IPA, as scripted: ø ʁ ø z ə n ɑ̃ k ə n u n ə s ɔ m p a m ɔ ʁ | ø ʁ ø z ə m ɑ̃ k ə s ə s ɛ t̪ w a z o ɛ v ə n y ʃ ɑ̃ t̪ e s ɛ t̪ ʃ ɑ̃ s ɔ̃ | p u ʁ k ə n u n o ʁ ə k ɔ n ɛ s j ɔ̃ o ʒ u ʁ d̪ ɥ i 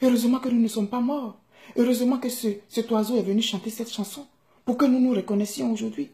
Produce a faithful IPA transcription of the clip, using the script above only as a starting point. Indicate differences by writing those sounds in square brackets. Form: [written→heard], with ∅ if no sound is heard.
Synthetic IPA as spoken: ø ʁ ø z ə [n→m] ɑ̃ k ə n u n ə s ɔ m p a m ɔ ʁ | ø ʁ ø z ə m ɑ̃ k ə s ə s ɛ t̪ w a z o ɛ v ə n y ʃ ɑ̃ t̪ e s ɛ t̪ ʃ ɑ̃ s ɔ̃ | p u ʁ k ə n u n [o→u] ʁ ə k ɔ n ɛ s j ɔ̃ o ʒ u ʁ d̪ ɥ i